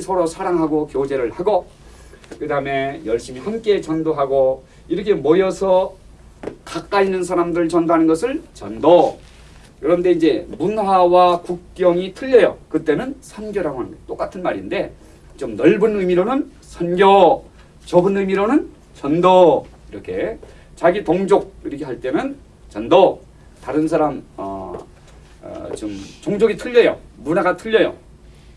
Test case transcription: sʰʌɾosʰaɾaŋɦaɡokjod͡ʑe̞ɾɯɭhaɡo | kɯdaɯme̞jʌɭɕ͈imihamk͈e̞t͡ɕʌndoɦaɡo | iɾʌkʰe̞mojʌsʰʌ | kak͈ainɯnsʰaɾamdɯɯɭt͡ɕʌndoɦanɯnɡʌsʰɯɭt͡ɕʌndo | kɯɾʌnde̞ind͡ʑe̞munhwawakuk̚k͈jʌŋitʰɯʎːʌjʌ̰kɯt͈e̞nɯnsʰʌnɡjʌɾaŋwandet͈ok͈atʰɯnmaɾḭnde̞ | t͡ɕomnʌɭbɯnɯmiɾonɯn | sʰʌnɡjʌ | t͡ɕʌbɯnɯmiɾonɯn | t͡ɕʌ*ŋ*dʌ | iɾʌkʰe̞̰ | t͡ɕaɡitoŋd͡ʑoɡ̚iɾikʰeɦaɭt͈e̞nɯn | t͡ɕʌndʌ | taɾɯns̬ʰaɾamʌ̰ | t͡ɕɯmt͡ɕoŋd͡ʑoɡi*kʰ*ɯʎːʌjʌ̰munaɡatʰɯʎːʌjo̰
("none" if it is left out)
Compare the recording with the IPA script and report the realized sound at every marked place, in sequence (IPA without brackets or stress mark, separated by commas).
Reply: n, tʰ